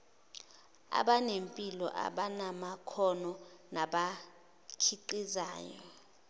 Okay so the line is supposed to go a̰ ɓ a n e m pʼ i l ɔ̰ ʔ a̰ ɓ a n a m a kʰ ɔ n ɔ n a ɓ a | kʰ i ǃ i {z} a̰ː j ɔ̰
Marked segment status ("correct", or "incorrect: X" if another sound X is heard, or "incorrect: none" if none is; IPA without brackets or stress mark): correct